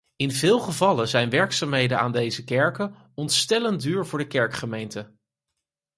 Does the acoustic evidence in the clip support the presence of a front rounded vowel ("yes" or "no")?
yes